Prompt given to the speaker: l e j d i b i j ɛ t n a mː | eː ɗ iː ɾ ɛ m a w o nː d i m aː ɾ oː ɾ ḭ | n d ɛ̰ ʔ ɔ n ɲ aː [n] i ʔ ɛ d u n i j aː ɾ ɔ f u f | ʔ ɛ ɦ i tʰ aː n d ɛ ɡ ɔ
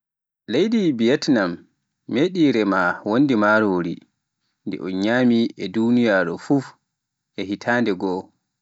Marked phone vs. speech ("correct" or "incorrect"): incorrect